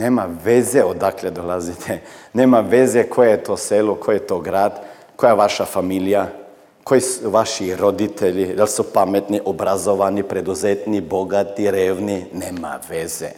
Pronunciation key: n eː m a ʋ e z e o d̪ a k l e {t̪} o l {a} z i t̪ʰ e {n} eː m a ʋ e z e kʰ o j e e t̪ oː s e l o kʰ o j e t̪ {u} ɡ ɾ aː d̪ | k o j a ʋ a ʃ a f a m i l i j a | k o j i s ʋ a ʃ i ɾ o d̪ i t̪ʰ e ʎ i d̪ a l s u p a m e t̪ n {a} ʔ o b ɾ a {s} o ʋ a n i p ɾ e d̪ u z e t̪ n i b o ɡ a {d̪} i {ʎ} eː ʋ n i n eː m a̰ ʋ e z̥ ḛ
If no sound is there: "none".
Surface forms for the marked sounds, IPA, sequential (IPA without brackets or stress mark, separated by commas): d̪, a, n, o, i, z, t̪, ɾ